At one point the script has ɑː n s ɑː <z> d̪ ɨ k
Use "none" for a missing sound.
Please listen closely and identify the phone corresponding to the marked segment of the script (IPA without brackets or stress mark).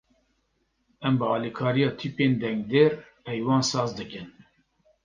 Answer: z